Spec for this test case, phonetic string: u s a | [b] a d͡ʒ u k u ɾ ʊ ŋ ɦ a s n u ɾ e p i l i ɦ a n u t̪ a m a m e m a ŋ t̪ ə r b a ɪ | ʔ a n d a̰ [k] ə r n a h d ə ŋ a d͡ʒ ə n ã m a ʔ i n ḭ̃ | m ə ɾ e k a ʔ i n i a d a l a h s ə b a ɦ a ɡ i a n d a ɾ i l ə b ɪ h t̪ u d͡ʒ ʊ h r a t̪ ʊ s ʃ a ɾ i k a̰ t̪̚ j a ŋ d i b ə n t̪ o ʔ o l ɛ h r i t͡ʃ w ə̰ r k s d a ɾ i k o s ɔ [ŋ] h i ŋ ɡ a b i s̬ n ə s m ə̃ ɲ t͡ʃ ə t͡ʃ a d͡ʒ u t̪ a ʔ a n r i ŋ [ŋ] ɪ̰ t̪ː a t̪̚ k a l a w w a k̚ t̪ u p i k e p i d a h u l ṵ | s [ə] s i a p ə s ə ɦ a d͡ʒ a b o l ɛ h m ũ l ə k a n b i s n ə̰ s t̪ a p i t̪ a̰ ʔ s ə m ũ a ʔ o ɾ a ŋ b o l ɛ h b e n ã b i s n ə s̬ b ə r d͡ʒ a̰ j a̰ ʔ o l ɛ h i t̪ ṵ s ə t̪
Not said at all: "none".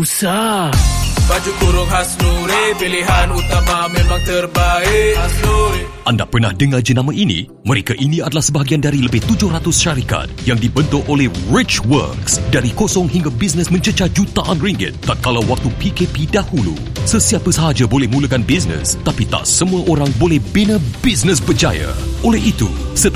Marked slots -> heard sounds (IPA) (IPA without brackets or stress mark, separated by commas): b, p, ŋ, ɡ, ə